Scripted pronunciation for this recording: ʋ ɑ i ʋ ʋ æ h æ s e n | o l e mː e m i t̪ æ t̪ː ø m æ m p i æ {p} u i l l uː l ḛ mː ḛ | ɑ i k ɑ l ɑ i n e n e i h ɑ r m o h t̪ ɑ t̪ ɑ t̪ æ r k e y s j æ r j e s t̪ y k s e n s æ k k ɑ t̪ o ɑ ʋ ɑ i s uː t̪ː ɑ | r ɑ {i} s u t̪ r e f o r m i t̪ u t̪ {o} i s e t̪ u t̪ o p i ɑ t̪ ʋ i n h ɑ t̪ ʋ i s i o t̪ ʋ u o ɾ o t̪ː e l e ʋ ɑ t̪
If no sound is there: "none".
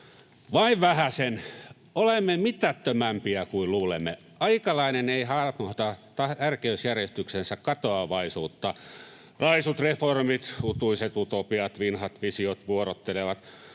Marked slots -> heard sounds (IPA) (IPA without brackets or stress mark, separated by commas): k, i, u